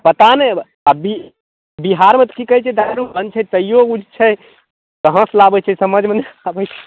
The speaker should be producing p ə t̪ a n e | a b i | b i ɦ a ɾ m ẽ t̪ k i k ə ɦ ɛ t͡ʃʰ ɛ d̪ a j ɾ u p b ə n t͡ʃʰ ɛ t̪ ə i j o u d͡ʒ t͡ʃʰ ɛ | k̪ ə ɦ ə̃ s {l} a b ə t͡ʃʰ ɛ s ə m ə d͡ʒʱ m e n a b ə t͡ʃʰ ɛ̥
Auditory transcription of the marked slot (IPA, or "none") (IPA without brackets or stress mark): l